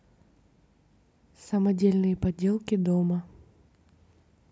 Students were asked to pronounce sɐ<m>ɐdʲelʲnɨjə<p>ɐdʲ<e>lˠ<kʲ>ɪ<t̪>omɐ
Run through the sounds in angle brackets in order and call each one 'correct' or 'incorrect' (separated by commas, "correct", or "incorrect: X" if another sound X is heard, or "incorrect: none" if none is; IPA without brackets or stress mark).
correct, correct, correct, correct, incorrect: d̪